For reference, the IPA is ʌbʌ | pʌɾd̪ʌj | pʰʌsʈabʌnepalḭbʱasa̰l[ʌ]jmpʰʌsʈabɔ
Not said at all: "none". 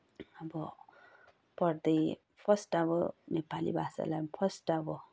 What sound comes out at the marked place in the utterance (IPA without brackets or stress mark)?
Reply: a